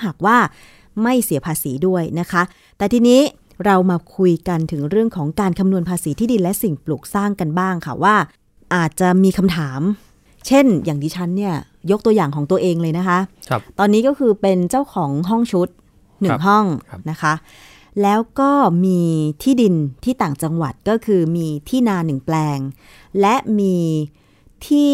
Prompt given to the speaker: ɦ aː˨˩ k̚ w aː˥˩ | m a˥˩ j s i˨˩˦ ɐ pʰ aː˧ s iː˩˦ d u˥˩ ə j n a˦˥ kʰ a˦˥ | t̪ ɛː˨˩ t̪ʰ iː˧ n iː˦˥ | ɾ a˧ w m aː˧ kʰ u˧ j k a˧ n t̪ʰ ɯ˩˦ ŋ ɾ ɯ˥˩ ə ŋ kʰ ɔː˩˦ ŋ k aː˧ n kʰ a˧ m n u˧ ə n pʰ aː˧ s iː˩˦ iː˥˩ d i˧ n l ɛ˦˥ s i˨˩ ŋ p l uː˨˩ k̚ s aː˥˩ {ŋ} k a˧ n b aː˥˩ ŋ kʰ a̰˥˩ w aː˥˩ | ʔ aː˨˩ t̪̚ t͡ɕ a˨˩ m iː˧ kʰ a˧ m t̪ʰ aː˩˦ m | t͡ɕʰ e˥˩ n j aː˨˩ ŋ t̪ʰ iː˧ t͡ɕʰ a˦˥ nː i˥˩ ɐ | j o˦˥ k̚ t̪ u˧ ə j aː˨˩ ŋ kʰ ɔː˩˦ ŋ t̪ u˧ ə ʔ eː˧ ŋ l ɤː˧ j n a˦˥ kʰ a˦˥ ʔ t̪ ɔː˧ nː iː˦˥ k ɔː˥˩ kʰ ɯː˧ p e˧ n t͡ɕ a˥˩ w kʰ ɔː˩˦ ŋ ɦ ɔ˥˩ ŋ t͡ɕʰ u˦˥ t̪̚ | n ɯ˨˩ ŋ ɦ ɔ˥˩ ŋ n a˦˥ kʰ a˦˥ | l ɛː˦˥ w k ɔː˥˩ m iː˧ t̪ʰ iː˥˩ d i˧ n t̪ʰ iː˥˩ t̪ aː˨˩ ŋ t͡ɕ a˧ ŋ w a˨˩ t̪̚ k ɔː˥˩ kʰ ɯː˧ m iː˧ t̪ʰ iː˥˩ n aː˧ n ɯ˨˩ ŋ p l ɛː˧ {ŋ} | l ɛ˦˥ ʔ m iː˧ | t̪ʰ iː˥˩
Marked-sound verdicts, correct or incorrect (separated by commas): correct, correct